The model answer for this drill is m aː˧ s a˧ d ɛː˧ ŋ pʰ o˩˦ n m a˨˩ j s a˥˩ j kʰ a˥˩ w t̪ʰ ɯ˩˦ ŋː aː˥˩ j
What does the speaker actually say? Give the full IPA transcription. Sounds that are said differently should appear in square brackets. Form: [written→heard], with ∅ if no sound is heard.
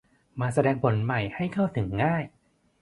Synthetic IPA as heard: m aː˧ s a˧ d ɛː˧ ŋ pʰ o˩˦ n m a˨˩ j [s→h] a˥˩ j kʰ a˥˩ w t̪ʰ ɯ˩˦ ŋː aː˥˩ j